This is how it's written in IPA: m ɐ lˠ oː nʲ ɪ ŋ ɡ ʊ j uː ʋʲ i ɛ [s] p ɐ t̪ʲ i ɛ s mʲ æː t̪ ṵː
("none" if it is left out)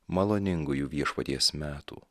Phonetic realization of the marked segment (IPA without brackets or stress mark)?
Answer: ʃ